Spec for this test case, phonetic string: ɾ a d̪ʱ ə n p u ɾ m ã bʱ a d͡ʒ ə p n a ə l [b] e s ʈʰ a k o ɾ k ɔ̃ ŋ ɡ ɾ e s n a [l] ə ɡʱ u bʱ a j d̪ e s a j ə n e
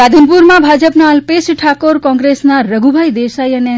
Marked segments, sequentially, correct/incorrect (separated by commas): incorrect, incorrect